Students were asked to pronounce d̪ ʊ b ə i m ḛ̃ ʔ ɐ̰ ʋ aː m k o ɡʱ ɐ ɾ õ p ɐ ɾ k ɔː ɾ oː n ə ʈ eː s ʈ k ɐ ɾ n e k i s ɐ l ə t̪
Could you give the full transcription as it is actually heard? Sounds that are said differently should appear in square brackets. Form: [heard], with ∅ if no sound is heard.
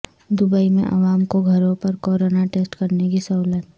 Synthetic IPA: d̪ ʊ b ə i m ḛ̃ ʔ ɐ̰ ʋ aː m k o ɡʱ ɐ ɾ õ p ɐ ɾ k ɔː ɾ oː n [a] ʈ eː s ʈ k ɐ ɾ n e k i s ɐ l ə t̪